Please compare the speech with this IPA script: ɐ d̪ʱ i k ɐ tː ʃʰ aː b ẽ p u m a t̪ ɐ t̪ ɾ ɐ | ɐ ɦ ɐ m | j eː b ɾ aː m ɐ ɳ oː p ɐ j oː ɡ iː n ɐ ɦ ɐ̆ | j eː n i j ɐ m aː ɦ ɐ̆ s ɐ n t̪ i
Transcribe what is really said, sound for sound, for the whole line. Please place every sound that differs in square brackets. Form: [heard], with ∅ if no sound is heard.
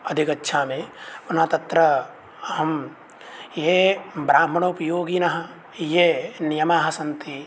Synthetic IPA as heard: ɐ d̪ʱ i k ɐ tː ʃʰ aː [m] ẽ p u [n] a t̪ ɐ t̪ ɾ ɐ | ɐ ɦ ɐ m | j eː b ɾ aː m ɐ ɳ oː p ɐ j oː ɡ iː n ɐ ɦ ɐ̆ | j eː n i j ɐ m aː ɦ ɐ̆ s ɐ n t̪ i